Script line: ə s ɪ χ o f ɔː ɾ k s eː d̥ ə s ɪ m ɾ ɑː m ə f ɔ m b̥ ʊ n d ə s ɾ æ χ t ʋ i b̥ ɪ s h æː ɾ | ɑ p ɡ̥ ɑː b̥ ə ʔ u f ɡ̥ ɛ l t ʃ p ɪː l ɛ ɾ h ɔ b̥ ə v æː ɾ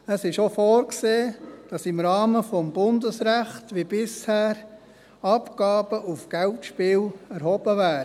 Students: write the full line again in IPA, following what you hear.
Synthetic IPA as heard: ə s ɪ ʃ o f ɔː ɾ k s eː d̥ ɑ s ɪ m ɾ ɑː m ə f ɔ m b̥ ʊ n d ə s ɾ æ χ t ʋ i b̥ ɪ s h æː ɾ | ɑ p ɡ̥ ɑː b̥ ə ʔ u f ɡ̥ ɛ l t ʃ p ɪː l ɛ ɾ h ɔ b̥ ə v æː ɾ